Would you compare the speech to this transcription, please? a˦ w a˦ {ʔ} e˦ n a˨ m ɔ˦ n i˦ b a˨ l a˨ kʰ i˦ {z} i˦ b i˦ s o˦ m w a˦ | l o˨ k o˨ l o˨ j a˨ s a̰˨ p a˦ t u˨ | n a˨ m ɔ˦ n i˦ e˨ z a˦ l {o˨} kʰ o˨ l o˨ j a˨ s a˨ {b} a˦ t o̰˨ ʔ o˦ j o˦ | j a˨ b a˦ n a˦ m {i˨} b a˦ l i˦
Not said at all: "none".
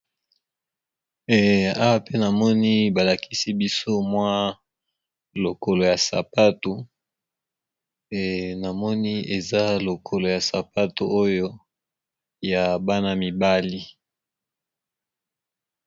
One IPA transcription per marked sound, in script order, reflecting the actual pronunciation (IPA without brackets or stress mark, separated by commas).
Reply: p, s, o˨, p, i˨